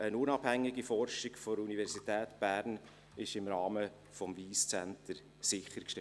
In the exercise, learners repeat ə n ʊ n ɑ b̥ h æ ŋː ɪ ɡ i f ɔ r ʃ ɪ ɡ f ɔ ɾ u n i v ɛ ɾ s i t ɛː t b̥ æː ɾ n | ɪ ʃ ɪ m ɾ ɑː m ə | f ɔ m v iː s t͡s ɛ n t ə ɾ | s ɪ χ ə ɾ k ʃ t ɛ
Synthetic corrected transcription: ə n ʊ n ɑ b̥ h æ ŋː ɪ ɡ i f ɔ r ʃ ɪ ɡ f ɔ ɾ u n i v ɛ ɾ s i t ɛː t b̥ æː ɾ n | ɪ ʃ ɪ m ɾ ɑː m ə | f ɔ m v iː s t͡s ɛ n t ə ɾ | s ɪ χ ə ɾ k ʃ t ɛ

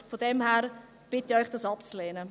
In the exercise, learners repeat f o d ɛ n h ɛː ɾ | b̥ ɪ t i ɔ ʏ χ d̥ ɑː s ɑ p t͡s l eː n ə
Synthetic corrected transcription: f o d ɛ m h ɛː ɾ | b̥ ɪ t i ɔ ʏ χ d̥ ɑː s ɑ p t͡s l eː n ə

